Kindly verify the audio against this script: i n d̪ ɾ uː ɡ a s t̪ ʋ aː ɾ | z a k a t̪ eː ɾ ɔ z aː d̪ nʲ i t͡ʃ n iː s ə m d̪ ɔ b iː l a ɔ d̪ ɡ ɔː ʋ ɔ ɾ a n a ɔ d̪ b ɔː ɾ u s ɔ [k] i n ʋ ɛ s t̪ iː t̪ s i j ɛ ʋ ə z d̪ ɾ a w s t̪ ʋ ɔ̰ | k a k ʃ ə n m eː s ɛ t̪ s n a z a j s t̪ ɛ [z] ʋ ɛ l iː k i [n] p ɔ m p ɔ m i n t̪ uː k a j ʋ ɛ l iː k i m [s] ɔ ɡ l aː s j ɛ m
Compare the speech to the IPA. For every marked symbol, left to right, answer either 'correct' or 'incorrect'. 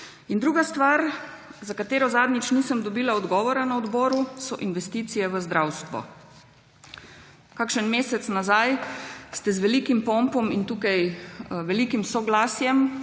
incorrect, correct, incorrect, correct

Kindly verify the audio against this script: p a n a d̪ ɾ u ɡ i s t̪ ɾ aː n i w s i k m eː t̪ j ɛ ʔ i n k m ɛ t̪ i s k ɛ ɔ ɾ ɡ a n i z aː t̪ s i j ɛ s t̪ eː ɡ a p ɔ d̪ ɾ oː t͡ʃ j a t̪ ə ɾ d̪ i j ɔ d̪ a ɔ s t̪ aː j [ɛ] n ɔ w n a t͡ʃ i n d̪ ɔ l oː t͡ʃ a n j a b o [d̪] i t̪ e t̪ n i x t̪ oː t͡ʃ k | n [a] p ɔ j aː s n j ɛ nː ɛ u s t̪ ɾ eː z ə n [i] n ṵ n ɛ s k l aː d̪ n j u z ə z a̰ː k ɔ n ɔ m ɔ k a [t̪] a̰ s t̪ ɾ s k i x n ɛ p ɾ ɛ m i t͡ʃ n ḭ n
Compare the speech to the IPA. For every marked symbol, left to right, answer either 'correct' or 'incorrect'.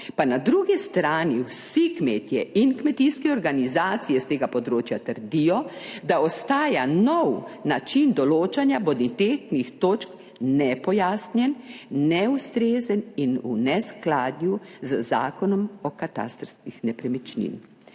incorrect, correct, incorrect, correct, correct

